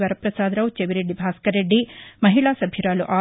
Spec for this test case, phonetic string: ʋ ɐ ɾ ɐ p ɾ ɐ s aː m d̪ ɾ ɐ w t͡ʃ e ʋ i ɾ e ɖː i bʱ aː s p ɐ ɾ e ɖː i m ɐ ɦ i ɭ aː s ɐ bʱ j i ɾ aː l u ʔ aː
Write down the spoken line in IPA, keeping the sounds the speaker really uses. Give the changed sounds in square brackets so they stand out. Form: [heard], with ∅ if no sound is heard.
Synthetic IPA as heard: ʋ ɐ ɾ ɐ p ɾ ɐ s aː [∅] d̪ ɾ ɐ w t͡ʃ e ʋ i ɾ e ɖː i bʱ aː s [k] ɐ ɾ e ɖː i m ɐ ɦ i ɭ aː s ɐ bʱ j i ɾ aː l u ʔ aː